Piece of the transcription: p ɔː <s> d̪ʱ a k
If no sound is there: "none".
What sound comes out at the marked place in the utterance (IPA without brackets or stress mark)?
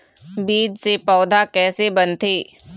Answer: none